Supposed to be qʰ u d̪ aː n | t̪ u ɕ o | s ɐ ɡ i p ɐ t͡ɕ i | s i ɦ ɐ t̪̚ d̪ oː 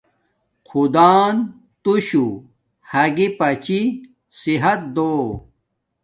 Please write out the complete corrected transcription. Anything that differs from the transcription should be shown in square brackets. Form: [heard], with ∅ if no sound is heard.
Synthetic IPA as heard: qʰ u d̪ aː n | t̪ u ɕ [u] | [h] ɐ ɡ i p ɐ t͡ɕ i | s i ɦ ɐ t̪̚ d̪ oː